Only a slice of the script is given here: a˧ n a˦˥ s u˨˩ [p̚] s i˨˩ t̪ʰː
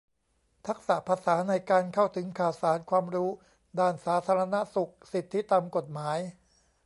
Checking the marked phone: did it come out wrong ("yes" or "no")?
yes